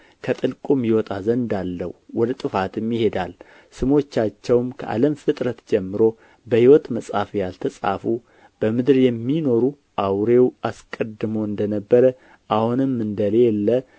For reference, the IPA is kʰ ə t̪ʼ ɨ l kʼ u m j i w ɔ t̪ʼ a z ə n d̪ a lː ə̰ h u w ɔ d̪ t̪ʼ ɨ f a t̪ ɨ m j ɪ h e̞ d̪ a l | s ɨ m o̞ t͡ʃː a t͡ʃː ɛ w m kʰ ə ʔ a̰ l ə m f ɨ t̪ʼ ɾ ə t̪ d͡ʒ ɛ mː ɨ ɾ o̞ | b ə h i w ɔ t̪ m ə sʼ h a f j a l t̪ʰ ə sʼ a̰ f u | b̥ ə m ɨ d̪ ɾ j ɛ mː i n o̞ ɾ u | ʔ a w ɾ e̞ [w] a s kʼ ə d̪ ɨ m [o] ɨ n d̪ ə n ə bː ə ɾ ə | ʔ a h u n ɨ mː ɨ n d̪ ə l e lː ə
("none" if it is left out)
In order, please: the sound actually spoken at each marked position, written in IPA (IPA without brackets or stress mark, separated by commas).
w, o